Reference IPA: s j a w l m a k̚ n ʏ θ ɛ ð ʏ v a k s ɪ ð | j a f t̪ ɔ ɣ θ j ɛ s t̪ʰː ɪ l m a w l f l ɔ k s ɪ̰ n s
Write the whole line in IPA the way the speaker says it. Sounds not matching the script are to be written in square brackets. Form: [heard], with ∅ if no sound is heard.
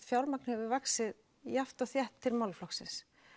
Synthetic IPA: [f] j a w l m a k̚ n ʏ [h] ɛ [v] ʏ v a k s ɪ ð | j a f t̪ ɔ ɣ θ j ɛ [h] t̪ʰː ɪ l m a w l f l ɔ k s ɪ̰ n s